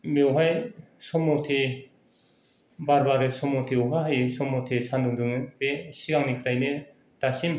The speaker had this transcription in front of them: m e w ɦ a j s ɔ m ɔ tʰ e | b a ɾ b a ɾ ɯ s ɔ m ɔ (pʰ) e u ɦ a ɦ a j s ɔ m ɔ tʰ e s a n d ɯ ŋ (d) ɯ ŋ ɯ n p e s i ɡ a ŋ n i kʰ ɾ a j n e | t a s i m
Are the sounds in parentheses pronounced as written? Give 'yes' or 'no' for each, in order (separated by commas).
no, yes